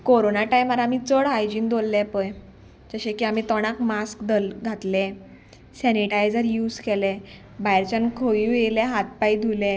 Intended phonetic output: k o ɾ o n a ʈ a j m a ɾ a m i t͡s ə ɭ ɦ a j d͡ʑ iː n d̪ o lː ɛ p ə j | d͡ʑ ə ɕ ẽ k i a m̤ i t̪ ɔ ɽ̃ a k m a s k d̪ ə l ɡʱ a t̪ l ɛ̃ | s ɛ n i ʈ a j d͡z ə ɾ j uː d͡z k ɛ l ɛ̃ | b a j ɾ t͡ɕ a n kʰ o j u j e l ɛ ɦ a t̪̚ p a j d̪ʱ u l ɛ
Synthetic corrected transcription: k o ɾ o n a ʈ a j m a ɾ a m i t͡s ə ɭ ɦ a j d͡ʑ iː n d̪ o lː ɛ p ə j | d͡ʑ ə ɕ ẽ k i a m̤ i t̪ ɔ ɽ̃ a k m a s k d̪ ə l ɡʱ a t̪ l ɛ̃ | s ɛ n i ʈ a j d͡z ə ɾ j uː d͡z k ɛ l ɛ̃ | b a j ɾ t͡ɕ a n kʰ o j u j e l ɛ ɦ a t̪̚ p a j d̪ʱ u l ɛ